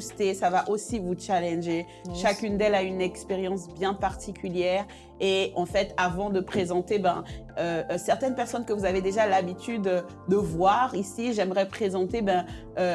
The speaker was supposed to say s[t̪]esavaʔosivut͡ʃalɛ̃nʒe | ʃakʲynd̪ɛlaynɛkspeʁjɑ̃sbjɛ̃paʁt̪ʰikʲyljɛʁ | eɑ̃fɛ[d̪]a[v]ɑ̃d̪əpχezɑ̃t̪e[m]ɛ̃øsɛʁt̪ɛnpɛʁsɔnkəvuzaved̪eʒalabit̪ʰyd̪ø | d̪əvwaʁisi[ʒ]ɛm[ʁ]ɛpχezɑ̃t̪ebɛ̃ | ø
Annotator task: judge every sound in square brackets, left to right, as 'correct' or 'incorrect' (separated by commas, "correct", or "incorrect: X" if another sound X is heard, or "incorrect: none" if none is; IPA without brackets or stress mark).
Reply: correct, incorrect: t̪, correct, incorrect: b, correct, correct